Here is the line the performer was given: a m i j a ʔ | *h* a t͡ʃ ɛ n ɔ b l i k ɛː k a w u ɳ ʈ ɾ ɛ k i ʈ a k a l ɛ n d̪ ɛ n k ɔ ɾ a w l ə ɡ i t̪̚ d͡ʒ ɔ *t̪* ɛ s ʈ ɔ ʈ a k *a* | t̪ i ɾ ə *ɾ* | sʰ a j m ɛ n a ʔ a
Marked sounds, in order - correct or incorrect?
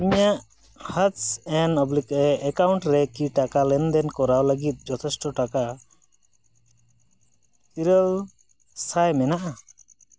correct, incorrect: t̪ʰ, correct, incorrect: l

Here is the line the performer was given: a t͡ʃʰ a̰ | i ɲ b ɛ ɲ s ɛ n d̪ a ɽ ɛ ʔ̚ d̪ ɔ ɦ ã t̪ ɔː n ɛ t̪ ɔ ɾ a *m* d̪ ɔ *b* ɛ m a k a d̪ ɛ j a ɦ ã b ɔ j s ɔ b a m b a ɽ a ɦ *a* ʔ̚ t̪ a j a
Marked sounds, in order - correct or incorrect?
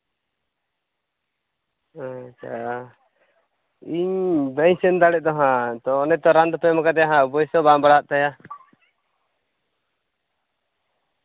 incorrect: n, incorrect: p, correct

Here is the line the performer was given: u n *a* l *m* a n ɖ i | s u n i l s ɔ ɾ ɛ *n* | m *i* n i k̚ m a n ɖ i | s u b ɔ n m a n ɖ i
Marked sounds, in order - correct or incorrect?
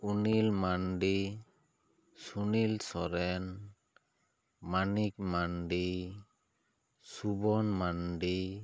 incorrect: i, correct, correct, incorrect: a

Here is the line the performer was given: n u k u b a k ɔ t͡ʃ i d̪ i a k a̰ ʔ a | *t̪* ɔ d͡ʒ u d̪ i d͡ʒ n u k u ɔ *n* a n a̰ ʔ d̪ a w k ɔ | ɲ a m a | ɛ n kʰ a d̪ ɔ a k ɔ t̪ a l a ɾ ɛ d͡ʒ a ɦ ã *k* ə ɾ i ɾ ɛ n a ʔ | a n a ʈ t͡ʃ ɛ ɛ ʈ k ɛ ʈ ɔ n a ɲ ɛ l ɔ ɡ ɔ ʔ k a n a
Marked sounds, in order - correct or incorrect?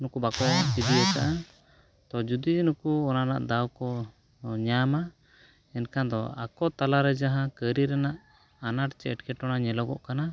correct, correct, correct

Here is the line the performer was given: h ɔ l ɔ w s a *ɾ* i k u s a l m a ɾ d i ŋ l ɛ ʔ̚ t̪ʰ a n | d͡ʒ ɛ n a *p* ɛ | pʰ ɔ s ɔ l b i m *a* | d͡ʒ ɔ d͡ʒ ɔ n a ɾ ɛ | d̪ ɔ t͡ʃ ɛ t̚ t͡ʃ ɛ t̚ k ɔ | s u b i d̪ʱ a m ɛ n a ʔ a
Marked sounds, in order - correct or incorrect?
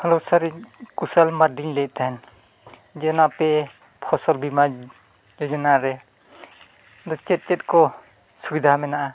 correct, correct, correct

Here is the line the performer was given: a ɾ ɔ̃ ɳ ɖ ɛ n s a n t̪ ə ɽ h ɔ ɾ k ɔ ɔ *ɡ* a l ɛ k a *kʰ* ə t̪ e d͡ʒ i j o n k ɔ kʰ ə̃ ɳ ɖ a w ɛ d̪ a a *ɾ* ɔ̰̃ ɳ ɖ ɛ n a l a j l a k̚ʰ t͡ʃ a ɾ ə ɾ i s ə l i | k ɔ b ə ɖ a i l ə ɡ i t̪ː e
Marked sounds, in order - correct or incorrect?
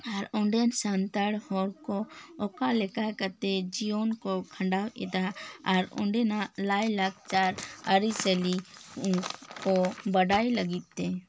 incorrect: k, incorrect: k, correct

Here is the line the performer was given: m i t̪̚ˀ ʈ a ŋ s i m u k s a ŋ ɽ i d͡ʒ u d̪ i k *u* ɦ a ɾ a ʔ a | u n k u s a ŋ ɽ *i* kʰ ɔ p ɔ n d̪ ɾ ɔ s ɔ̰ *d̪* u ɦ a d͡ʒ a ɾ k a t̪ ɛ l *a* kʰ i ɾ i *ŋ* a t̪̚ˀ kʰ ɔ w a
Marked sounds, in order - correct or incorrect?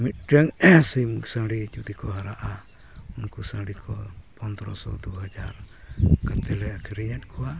incorrect: ɔ, correct, correct, incorrect: ɛ, incorrect: ɲ

